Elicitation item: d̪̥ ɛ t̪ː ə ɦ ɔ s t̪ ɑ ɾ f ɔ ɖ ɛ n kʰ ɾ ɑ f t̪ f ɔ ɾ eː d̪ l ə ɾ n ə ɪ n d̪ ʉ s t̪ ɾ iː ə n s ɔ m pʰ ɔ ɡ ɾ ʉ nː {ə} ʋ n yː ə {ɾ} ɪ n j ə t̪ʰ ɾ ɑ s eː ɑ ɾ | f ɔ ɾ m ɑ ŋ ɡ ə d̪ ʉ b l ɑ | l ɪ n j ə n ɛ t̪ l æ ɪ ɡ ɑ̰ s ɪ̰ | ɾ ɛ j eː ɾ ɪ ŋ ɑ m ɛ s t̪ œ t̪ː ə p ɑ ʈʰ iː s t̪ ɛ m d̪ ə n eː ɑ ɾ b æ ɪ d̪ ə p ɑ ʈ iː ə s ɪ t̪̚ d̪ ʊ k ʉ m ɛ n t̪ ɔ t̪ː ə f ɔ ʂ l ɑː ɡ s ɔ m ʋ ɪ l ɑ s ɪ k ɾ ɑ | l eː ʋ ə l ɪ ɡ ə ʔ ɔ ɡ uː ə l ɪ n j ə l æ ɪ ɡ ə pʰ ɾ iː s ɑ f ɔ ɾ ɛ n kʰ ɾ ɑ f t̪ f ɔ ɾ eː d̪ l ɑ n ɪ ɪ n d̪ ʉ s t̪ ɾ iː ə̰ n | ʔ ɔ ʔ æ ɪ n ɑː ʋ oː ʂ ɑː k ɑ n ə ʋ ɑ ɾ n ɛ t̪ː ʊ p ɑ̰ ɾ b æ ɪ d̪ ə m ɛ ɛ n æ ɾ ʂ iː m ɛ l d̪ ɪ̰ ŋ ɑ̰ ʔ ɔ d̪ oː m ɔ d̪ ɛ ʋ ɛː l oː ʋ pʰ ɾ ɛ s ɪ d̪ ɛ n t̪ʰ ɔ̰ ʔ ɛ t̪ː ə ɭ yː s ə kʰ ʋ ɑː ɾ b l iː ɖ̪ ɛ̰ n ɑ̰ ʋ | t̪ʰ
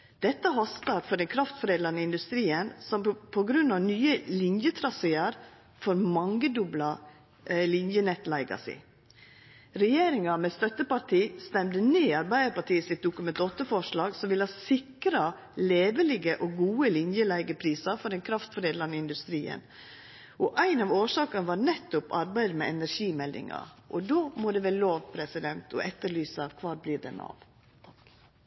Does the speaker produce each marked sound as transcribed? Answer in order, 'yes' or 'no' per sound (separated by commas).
no, no